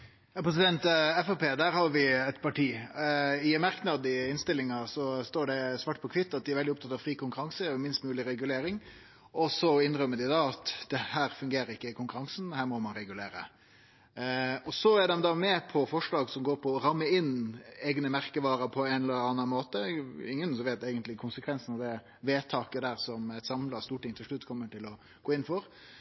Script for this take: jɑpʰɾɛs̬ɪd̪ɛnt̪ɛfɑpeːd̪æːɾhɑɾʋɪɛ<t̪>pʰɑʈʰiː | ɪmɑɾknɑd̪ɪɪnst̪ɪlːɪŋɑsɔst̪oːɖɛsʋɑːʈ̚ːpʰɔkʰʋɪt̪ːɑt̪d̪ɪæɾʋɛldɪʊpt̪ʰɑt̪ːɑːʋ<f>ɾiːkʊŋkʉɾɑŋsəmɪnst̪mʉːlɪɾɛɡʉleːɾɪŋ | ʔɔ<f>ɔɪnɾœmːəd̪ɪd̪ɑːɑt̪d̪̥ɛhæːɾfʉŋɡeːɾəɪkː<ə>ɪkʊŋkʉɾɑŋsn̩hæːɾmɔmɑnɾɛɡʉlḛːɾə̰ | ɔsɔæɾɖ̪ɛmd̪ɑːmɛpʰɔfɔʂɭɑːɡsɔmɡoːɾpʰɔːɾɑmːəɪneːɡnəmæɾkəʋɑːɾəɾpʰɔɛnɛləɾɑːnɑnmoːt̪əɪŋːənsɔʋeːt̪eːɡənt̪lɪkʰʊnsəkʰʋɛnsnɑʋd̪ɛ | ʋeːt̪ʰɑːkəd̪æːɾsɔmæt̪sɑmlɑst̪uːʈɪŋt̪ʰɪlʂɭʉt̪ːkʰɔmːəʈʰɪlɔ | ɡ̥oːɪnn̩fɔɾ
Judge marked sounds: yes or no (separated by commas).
yes, yes, no, yes